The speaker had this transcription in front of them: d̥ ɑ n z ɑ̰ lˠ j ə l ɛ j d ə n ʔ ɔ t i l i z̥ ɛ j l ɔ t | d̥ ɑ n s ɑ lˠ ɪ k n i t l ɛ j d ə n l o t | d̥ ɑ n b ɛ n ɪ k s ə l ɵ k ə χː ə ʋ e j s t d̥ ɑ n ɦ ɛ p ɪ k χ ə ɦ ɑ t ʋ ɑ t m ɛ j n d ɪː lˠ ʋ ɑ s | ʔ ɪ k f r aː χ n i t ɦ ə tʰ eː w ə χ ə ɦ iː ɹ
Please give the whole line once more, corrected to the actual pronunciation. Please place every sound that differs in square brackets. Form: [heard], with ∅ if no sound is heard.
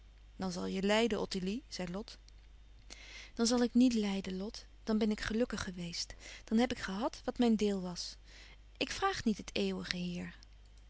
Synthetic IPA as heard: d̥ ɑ n z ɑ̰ lˠ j ə l ɛ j d ə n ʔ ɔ t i l i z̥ ɛ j l ɔ t | d̥ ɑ n [z] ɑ lˠ ɪ k n i t l ɛ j d ə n l [ɔ] t | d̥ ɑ n b ɛ n ɪ k [χ] ə l ɵ k ə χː ə ʋ e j s t d̥ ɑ n ɦ ɛ p ɪ k χ ə ɦ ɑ t ʋ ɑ t m ɛ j n d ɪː lˠ ʋ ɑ s | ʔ ɪ k f r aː χ n i t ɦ ə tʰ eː w ə χ ə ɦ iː ɹ